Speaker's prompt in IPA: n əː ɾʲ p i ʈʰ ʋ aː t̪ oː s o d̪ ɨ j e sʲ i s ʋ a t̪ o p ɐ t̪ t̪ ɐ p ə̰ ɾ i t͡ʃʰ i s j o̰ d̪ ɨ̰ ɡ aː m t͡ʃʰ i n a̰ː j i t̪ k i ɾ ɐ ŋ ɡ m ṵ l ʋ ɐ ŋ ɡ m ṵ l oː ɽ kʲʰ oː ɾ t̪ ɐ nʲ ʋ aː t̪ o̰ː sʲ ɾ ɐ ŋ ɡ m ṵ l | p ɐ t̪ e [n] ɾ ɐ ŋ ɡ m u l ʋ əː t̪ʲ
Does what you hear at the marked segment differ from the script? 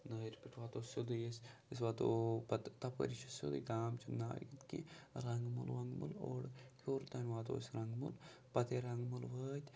yes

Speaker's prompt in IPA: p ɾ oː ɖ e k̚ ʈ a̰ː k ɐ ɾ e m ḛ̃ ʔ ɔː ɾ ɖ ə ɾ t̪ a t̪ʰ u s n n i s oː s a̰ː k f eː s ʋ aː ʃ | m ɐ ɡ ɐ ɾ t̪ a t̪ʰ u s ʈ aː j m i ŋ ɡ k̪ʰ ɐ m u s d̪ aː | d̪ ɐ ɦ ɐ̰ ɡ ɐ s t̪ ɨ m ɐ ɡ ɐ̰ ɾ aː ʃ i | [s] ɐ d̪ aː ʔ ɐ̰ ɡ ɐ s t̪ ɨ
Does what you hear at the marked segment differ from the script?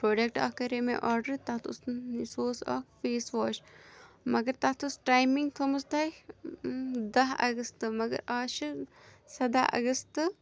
no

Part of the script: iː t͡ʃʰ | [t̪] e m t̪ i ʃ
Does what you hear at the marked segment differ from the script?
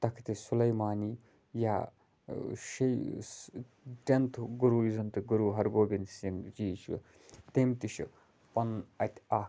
no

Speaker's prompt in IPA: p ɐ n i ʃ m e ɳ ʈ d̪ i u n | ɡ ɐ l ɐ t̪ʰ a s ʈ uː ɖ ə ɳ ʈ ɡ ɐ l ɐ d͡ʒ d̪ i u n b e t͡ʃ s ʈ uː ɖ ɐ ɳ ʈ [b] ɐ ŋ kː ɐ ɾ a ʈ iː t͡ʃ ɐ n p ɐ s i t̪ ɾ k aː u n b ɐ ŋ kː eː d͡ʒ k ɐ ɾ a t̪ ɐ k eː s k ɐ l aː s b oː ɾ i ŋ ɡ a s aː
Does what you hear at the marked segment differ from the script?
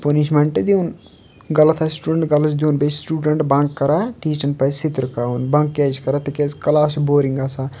no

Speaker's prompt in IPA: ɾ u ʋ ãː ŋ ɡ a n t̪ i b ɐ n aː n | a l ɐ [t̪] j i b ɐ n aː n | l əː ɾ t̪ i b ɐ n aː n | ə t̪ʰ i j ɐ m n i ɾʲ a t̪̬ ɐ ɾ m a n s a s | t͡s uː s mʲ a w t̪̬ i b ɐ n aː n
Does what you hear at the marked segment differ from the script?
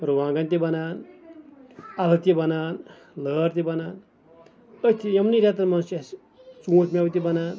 no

